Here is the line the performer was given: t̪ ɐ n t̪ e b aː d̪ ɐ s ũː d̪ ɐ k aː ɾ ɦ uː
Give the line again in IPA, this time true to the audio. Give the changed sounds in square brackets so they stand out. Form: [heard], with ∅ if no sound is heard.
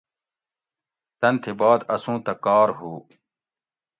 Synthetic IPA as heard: t̪ ɐ n [t̪ʰ] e b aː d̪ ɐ s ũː [t̪] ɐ k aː ɾ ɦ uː